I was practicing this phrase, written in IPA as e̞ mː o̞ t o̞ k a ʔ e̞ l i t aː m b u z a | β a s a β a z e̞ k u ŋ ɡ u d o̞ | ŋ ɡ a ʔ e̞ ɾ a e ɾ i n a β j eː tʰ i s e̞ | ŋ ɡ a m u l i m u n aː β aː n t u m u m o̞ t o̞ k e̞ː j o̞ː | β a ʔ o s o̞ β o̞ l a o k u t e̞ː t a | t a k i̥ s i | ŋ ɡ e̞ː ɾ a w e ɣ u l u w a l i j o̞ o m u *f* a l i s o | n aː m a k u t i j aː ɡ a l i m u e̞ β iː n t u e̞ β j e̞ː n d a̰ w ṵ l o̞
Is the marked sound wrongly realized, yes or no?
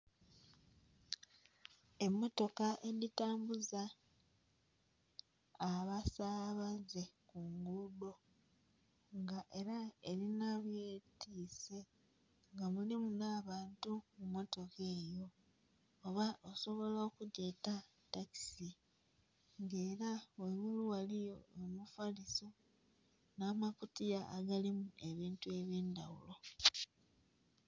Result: no